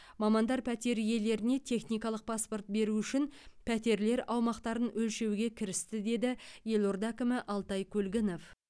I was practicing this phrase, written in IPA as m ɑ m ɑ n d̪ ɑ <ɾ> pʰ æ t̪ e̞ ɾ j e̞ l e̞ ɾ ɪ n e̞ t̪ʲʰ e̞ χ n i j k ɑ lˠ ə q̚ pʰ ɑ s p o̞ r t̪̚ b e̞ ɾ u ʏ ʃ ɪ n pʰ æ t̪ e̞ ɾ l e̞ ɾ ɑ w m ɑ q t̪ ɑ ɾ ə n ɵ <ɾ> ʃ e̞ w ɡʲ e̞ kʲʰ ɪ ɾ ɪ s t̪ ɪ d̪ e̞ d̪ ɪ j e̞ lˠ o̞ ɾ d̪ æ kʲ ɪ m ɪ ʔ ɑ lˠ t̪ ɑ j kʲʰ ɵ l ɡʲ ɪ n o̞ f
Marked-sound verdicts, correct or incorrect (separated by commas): correct, incorrect